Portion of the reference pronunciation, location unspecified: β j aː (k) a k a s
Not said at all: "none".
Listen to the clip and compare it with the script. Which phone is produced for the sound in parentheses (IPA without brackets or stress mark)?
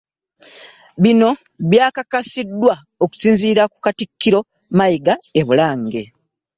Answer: k